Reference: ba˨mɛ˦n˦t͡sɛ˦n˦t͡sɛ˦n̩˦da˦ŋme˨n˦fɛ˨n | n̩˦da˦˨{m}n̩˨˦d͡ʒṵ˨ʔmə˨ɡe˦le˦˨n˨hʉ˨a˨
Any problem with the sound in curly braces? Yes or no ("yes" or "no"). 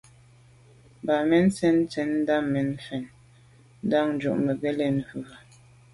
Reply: yes